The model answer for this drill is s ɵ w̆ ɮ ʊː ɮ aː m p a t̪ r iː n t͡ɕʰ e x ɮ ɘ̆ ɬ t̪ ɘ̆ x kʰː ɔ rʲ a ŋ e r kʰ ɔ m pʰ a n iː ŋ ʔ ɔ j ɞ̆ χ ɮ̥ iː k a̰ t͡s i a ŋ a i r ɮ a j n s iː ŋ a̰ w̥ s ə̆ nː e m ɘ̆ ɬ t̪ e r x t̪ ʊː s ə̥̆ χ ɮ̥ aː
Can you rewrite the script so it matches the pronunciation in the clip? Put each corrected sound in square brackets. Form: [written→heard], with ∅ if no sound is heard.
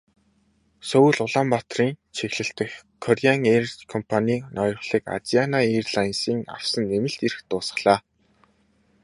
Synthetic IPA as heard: s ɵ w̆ ɮ [ʊː→ʊ] ɮ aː m p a t̪ r iː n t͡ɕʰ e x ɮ ɘ̆ ɬ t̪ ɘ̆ x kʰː ɔ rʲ a ŋ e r kʰ ɔ m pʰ a n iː [ŋ→n] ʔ ɔ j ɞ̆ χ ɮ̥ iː k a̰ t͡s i a [ŋ→n] a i r ɮ a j n s iː ŋ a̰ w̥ s ə̆ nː e m ɘ̆ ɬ t̪ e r x t̪ ʊː s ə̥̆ χ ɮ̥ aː